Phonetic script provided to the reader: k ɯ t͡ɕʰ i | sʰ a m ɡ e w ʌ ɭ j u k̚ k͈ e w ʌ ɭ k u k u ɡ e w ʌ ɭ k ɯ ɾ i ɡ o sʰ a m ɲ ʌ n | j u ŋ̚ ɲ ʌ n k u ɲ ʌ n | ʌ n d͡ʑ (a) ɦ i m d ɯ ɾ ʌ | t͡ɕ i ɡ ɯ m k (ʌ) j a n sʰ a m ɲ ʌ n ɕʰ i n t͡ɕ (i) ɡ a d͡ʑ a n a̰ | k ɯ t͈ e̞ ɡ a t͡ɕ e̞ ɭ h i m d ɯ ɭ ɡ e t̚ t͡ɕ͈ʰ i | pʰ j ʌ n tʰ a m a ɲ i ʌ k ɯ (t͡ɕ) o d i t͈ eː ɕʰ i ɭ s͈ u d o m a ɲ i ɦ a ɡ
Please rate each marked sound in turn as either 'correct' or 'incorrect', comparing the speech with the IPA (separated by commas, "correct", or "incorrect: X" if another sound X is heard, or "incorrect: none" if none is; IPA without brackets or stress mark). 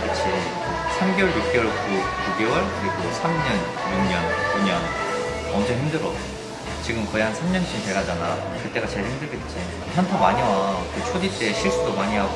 incorrect: ʌ, correct, incorrect: e, incorrect: t͡ɕʰ